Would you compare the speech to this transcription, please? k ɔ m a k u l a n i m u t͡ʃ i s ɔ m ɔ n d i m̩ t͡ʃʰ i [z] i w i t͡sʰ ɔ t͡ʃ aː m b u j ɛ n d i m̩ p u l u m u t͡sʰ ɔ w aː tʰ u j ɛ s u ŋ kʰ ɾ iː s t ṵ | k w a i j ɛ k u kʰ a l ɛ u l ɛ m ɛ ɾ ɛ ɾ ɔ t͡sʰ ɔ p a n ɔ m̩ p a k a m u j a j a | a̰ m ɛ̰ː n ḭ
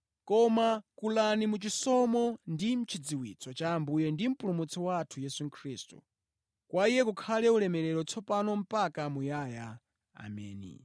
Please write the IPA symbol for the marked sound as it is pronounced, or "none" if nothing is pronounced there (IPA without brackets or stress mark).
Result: d͡z